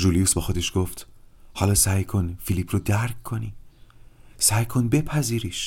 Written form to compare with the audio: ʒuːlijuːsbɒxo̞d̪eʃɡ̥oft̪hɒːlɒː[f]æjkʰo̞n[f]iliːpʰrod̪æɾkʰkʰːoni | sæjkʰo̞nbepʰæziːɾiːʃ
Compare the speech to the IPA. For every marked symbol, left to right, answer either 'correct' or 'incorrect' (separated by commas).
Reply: incorrect, correct